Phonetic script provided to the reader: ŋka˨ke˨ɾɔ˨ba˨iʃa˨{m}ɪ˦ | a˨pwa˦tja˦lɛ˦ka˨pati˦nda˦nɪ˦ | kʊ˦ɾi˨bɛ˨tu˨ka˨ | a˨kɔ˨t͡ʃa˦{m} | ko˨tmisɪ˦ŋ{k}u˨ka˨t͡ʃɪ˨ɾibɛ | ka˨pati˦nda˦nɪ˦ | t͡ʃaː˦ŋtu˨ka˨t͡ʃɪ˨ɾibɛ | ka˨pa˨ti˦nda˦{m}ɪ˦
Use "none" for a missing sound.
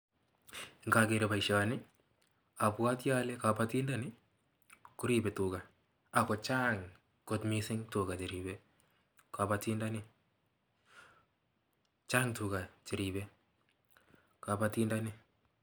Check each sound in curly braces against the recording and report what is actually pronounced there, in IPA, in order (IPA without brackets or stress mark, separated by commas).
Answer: n, ŋ, t, n